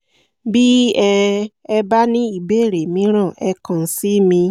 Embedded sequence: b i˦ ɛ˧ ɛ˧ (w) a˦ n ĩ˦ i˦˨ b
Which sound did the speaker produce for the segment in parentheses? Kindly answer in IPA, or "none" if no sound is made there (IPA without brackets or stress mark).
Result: b